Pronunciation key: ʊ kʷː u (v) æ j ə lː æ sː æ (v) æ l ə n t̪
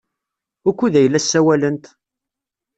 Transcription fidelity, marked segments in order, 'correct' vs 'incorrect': incorrect: ð, incorrect: w

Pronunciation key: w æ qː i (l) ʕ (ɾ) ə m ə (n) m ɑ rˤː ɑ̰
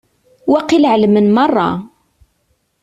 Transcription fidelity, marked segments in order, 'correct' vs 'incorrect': correct, incorrect: l, correct

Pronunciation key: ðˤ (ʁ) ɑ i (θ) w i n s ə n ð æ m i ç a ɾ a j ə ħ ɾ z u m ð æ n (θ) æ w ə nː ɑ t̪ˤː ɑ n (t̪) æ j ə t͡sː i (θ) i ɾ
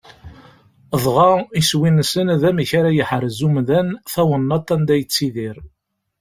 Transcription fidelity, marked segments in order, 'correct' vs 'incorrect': correct, incorrect: s, correct, incorrect: d̪, incorrect: ð

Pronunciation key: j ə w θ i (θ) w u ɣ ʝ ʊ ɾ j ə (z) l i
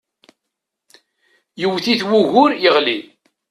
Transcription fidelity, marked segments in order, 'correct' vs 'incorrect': correct, incorrect: ʁ

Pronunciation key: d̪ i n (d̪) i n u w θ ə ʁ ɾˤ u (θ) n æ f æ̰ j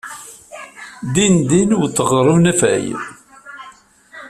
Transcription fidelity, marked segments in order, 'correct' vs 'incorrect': correct, incorrect: none

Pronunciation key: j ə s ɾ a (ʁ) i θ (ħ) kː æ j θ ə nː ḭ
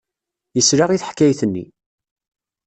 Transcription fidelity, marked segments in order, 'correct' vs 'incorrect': correct, correct

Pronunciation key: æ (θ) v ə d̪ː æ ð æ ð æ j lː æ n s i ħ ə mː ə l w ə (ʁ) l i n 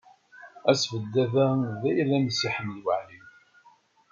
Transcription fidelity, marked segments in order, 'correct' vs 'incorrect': incorrect: s, incorrect: ʕ

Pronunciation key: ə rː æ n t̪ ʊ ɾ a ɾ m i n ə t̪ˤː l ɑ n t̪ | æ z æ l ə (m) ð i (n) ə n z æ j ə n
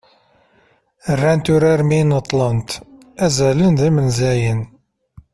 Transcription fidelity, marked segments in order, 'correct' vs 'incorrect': incorrect: n, incorrect: m

